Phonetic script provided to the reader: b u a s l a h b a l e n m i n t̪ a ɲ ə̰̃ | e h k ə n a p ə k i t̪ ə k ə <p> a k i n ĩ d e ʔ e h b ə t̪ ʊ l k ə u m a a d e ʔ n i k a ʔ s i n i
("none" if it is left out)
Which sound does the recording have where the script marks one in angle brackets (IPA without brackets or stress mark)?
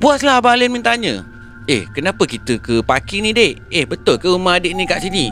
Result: p